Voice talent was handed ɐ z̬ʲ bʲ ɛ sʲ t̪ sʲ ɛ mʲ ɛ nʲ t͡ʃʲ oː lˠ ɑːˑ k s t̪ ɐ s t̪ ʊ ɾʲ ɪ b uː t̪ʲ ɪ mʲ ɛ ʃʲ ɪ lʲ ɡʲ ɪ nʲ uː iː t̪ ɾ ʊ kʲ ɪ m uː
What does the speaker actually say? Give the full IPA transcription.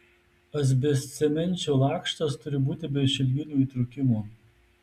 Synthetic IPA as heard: ɐ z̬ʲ bʲ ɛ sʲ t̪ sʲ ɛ mʲ ɛ nʲ t͡ʃʲ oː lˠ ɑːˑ k ʃ t̪ ɐ s t̪ ʊ ɾʲ ɪ b uː t̪ʲ ɪ bʲ ɛ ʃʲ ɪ lʲ ɡʲ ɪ nʲ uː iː t̪ ɾ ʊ kʲ ɪ m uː